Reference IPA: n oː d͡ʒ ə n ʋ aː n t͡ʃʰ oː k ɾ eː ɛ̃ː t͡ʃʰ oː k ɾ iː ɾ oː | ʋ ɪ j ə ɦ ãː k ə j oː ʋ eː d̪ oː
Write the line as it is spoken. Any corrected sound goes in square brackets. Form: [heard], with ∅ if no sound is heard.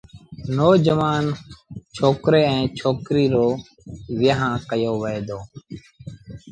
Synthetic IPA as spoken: n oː d͡ʒ ə [∅] ʋ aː n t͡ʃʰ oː k ɾ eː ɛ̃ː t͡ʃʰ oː k ɾ iː ɾ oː | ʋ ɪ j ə ɦ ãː k ə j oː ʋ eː d̪ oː